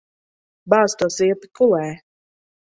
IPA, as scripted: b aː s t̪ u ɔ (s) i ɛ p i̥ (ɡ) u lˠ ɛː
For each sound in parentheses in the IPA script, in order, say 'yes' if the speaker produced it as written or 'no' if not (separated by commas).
yes, no